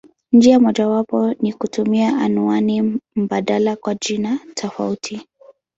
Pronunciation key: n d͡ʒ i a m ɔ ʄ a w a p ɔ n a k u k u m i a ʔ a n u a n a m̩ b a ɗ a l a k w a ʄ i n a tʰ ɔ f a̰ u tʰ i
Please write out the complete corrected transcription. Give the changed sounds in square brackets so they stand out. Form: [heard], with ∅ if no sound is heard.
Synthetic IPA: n d͡ʒ i a m ɔ ʄ a w a p ɔ n [i] k u [t] u m i a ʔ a n u a n [i] m̩ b a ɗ a l a k w a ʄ i n a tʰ ɔ f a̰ u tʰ i

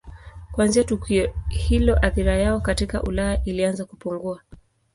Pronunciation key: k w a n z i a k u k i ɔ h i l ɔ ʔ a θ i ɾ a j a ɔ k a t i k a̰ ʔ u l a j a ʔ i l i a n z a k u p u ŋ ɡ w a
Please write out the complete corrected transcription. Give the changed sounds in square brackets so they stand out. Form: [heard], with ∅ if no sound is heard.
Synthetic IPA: k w a n z i a [t] u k i ɔ h i l ɔ ʔ a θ i ɾ a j a ɔ k a t i k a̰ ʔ u l a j a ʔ i l i a n z a k u p u ŋ ɡ [u] a

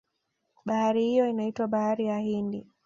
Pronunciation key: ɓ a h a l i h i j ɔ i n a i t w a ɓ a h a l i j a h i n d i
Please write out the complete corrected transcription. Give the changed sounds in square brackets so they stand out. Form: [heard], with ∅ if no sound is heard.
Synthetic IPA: ɓ a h a [ɾ] i h i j ɔ i n a i t w a ɓ a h a [ɾ] i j a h i n d i

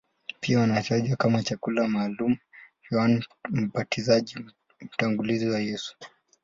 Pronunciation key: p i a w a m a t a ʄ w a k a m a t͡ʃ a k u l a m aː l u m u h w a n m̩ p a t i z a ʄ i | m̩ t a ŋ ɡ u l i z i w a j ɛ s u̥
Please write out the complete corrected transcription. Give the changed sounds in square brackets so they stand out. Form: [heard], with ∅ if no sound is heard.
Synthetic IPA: p i a w a [n] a t a ʄ w a k a m a t͡ʃ a k u l a m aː l u m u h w a n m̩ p a t i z a ʄ i | m̩ t a ŋ ɡ u l i z i w a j ɛ s u̥

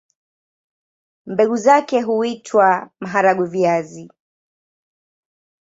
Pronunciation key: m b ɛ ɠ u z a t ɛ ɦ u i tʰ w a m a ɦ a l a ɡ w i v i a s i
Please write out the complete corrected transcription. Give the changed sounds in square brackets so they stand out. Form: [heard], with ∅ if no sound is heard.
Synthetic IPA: m b ɛ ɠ u z a [k] ɛ ɦ u i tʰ w a m a ɦ a [ɾ] a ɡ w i v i a [z] i

